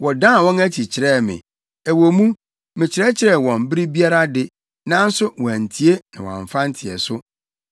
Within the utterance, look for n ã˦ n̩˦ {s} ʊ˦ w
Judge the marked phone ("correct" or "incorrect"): correct